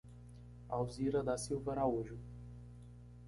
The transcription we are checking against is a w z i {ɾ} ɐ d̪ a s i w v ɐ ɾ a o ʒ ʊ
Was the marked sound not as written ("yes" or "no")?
no